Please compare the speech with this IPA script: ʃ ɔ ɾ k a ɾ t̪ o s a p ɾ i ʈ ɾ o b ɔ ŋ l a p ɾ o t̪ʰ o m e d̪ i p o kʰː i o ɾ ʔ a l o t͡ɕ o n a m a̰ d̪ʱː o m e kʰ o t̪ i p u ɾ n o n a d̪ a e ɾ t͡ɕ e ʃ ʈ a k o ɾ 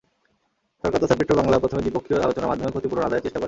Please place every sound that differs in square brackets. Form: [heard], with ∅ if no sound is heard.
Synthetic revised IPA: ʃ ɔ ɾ k a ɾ t̪ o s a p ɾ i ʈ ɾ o b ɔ ŋ l a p ɾ o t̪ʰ o m e d̪ i p o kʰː i o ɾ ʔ a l o t͡ɕ o n a m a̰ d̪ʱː o m e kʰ o t̪ i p u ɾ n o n a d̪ a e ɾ t͡ɕ e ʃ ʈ a k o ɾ